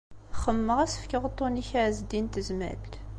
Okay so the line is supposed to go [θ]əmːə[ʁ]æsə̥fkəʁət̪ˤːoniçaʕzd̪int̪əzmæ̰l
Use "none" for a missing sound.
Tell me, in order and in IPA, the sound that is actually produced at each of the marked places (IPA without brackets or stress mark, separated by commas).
χ, ʁ